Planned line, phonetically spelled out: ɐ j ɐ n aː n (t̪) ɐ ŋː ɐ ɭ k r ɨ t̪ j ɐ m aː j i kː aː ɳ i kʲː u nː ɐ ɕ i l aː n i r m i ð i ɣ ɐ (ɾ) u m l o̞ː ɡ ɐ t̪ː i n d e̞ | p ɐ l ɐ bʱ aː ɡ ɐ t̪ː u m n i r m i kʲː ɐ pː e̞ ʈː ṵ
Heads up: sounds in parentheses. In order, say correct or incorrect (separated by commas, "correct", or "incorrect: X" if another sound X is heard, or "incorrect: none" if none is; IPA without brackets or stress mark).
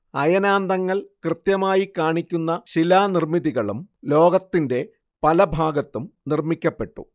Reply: incorrect: d̪, incorrect: ɭ